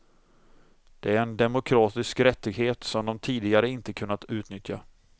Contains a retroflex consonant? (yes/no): no